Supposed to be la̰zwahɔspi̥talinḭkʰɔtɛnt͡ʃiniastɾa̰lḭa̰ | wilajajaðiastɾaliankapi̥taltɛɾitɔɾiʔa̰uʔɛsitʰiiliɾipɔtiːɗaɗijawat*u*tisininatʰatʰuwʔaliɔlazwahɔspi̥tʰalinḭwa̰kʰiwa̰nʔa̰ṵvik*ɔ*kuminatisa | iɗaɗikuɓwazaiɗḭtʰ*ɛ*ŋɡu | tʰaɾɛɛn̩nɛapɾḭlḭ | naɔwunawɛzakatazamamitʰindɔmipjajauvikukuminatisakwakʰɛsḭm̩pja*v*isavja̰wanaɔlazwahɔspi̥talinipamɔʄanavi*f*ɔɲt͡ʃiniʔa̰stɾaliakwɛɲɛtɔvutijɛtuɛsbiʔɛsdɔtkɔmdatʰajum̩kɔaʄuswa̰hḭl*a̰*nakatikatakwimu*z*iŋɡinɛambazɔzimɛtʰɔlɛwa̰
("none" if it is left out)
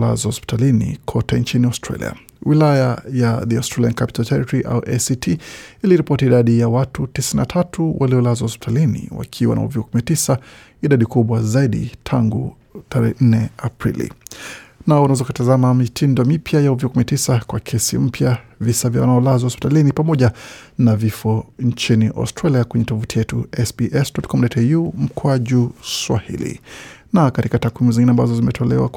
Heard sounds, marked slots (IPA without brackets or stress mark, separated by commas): u, u, a, v, f, ḭ, z